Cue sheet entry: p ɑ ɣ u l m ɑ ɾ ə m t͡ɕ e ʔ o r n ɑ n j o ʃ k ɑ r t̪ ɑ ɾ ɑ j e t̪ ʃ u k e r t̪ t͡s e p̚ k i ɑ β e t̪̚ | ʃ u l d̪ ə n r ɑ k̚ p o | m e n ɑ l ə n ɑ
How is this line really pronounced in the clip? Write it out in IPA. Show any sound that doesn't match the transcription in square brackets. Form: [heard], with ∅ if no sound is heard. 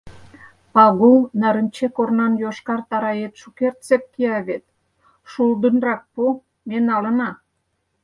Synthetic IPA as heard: p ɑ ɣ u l [n] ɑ ɾ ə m t͡ɕ e [k] o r n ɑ n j o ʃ k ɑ r t̪ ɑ ɾ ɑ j e t̪ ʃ u k e r t̪ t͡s e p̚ k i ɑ β e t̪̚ | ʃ u l d̪ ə n r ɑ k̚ p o | m e n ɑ l ə n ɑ